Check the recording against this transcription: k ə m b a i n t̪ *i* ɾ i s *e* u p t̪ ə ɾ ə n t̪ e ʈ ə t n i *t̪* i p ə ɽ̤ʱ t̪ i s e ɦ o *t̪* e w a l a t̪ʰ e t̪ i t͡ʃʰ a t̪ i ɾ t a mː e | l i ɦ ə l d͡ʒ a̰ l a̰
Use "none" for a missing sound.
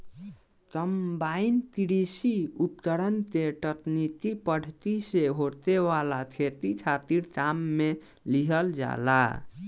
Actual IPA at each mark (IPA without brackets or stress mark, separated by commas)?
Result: i, i, t̪, t̪